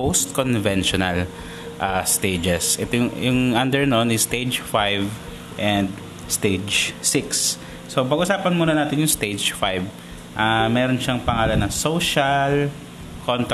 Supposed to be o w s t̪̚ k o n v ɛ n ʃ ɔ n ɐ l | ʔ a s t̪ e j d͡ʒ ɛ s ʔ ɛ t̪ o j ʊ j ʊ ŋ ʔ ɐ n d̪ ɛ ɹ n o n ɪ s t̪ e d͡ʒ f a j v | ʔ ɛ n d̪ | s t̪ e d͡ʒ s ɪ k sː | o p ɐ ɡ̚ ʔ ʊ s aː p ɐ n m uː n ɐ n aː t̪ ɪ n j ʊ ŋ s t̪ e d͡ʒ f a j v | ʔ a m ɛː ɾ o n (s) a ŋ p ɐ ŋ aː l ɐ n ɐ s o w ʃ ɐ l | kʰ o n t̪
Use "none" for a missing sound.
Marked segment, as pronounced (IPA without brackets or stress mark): ʃ